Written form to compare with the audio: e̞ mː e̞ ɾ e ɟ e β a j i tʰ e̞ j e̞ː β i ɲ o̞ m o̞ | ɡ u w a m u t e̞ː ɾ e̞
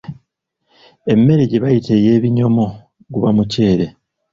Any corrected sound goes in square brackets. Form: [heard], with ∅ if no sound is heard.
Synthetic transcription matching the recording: e̞ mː e̞ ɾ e ɟ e β a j i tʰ e̞ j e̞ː β i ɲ o̞ m o̞ | ɡ u [β] a m u [c] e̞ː ɾ e̞